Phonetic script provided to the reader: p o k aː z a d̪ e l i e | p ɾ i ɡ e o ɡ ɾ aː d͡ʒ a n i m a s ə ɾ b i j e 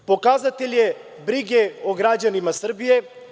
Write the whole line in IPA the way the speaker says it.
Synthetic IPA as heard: p o k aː z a t̪ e l j e | b ɾ i ɡ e o ɡ ɾ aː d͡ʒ a n i m a s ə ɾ b i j e